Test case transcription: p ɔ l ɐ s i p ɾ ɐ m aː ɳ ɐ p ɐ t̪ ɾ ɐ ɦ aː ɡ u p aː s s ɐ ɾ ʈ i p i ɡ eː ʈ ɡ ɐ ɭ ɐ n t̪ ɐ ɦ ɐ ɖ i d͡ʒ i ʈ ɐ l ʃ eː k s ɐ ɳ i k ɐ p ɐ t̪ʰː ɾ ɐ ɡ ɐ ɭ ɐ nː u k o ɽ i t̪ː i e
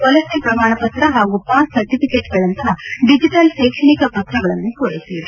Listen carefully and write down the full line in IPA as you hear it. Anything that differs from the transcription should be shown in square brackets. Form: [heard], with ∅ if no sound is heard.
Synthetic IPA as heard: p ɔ l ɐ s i p ɾ ɐ m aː ɳ ɐ p ɐ t̪ ɾ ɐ ɦ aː ɡ u p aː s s ɐ ɾ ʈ i p i [k] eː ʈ ɡ ɐ ɭ ɐ n t̪ ɐ ɦ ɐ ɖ i d͡ʒ i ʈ ɐ l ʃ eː k [ʂ] ɐ ɳ i k ɐ p ɐ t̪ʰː ɾ ɐ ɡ ɐ ɭ ɐ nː u k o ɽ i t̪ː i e